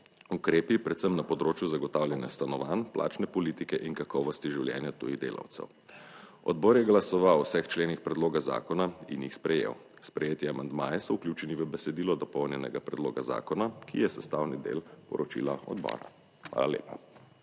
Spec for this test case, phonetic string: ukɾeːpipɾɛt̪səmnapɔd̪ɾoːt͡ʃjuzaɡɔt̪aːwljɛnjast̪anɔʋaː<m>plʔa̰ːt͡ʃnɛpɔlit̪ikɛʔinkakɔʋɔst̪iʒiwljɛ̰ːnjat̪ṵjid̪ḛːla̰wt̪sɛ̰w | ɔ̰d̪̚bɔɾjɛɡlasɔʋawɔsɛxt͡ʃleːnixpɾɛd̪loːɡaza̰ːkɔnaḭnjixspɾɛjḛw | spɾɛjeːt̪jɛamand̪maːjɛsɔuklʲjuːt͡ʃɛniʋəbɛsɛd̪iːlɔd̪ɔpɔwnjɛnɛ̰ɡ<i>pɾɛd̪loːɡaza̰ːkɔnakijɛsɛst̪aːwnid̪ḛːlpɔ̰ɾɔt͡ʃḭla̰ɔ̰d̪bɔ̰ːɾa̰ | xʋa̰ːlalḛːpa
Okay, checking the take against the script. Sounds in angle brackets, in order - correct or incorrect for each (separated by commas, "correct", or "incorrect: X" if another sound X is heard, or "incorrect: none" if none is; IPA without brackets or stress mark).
incorrect: n, incorrect: a